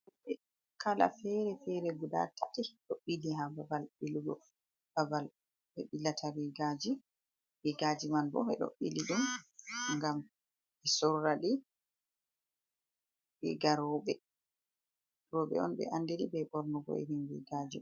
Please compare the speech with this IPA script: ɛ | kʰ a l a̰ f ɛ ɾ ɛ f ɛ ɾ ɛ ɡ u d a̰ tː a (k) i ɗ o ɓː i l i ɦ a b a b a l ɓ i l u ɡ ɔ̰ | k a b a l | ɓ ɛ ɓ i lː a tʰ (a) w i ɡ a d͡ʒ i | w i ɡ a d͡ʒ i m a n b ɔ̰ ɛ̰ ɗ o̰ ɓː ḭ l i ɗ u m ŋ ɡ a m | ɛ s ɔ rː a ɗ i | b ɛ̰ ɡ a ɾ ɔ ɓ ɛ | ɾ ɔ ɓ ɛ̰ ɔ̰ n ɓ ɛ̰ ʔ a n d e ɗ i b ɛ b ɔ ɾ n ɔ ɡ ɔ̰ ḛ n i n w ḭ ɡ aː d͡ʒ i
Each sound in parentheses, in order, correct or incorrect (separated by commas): incorrect, correct